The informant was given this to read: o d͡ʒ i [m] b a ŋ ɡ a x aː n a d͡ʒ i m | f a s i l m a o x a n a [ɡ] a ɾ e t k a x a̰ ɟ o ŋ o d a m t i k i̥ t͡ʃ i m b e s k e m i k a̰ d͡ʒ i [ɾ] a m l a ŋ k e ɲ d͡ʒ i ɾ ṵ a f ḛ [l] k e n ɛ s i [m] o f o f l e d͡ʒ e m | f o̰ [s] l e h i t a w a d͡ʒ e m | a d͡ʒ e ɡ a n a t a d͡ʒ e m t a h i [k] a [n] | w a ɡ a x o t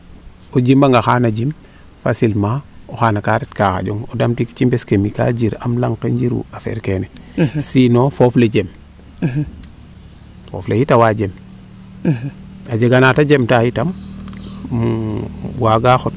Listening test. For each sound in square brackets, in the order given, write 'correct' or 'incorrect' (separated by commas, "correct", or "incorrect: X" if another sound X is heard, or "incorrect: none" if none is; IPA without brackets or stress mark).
correct, incorrect: k, correct, incorrect: ɾ, incorrect: n, incorrect: f, incorrect: t, incorrect: m